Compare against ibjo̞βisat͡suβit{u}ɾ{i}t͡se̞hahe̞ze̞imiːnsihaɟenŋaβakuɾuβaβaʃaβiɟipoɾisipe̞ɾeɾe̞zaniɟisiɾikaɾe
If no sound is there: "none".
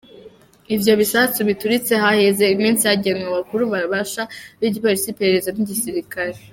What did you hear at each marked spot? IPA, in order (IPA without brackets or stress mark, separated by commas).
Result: u, i